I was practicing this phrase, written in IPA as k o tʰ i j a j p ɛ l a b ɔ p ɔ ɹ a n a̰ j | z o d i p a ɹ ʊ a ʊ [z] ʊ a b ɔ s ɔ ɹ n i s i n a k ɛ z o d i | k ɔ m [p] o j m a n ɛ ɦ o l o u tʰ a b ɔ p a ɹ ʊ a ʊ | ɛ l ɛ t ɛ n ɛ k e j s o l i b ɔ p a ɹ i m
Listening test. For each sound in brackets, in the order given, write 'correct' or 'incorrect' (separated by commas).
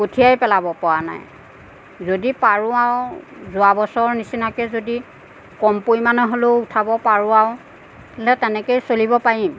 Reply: correct, correct